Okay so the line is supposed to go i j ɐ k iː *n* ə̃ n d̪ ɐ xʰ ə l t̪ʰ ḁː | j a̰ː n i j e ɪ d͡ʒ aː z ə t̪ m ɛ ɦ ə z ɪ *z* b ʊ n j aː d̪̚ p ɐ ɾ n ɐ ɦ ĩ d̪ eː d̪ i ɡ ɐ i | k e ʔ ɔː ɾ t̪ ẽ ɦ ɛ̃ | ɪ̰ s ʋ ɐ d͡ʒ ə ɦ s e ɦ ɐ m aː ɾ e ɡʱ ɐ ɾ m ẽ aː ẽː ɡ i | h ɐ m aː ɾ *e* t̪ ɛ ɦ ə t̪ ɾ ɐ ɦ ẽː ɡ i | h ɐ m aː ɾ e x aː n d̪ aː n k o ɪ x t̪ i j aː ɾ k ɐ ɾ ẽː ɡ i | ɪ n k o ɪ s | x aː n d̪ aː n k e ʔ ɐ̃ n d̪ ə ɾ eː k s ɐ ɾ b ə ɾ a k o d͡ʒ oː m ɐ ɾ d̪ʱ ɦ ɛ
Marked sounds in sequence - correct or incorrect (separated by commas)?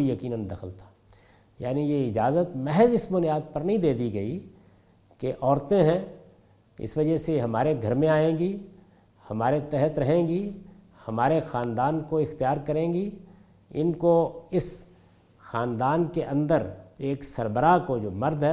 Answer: correct, incorrect, correct